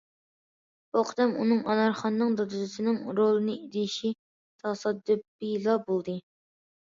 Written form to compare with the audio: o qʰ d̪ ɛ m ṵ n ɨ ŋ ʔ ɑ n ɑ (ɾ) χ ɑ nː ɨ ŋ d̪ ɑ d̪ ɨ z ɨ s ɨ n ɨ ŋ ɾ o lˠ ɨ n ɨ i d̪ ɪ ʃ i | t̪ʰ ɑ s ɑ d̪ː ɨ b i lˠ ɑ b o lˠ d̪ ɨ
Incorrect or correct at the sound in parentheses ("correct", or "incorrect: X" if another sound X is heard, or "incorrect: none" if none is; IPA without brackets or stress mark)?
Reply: correct